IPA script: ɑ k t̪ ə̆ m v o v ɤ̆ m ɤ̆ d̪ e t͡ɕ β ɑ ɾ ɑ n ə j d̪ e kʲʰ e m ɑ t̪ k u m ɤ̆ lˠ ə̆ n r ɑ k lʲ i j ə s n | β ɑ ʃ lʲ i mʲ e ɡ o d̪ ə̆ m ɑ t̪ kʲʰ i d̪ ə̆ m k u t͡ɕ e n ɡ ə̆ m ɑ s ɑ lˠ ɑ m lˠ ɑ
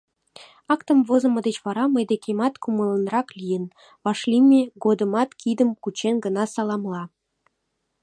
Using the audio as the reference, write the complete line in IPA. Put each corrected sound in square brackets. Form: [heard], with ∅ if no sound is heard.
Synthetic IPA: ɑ k t̪ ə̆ m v o [z] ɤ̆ m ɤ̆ d̪ e t͡ɕ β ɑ ɾ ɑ [m] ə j d̪ e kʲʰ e m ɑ t̪ k u m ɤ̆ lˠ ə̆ n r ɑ k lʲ i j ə [∅] n | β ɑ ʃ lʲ i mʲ e ɡ o d̪ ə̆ m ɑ t̪ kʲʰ i d̪ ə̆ m k u t͡ɕ e n ɡ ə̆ [n] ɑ s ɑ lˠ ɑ m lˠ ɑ